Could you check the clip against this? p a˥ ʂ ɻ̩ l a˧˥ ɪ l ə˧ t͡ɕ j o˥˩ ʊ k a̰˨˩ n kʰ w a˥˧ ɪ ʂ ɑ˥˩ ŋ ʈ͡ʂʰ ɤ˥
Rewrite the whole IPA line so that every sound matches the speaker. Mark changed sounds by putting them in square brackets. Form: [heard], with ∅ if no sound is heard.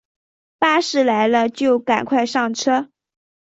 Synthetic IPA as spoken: p a˥ ʂ ɻ̩ l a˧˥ ɪ l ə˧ t͡ɕ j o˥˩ ʊ k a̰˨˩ n kʰ w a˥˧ ɪ ʂ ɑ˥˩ ŋ ʈ͡ʂʰ ɤ˥